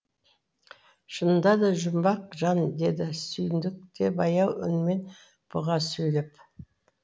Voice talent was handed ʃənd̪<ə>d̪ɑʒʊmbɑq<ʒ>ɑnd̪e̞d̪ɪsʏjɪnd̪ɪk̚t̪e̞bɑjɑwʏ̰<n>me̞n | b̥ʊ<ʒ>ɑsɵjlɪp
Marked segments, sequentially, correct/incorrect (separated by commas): incorrect, correct, correct, incorrect